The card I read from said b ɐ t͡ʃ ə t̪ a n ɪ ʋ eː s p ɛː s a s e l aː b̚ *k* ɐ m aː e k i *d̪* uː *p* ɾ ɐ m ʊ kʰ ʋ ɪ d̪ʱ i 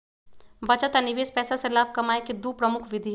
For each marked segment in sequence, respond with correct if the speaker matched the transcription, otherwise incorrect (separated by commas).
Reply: correct, correct, correct